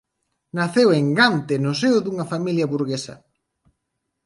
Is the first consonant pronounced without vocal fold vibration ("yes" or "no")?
no